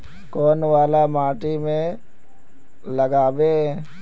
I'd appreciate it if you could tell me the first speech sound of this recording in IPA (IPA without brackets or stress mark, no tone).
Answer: k